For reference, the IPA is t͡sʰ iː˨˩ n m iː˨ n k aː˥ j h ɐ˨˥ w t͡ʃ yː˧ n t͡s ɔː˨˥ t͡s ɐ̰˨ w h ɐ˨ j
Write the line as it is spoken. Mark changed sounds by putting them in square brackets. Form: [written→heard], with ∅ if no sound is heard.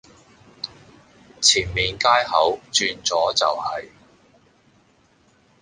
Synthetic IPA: t͡sʰ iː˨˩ n m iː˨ n k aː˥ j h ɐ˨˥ w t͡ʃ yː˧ n t͡s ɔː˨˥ t͡s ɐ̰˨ w h ɐ˨ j